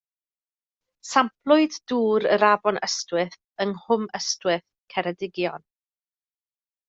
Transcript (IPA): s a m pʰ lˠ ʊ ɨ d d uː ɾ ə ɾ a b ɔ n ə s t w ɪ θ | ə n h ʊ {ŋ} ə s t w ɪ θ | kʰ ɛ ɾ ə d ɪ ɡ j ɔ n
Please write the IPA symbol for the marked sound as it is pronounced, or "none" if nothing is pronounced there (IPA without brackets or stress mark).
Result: m